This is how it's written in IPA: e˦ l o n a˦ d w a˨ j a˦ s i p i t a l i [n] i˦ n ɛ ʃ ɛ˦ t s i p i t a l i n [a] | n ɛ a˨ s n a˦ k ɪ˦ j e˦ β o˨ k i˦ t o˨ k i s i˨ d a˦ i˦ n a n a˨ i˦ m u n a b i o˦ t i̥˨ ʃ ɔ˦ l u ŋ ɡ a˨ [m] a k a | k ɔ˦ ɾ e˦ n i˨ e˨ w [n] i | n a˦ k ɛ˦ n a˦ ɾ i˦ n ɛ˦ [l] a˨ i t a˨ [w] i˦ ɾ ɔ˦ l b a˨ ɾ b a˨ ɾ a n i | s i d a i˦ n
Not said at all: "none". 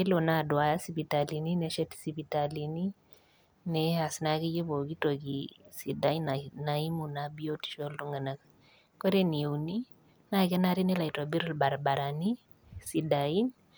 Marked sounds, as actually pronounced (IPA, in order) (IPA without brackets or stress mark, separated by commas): n, i, n, n, l, b